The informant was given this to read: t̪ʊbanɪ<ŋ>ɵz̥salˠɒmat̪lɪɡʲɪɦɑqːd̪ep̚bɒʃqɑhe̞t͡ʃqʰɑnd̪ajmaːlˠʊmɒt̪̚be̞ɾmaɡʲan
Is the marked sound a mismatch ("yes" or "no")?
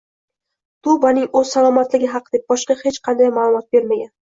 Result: no